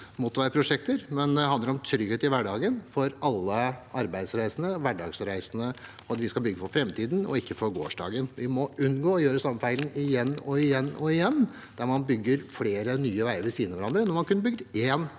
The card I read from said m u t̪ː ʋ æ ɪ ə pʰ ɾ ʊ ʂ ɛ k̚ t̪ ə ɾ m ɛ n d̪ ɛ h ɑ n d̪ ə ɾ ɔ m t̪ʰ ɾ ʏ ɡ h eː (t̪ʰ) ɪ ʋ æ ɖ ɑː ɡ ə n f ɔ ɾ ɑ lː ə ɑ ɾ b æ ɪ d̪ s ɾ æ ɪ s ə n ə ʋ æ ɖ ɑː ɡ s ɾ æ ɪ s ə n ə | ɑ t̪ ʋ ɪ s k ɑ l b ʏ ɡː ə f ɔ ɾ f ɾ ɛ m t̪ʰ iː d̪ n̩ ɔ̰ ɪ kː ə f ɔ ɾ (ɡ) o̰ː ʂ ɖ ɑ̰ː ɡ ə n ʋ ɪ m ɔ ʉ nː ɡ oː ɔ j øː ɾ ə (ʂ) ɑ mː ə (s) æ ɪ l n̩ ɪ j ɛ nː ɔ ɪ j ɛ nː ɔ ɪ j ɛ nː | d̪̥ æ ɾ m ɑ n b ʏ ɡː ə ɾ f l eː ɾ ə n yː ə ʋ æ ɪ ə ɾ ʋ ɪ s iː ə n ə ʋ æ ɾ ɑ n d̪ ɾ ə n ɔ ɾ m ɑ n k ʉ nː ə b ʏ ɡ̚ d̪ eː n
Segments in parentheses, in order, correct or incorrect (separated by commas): incorrect, correct, incorrect, incorrect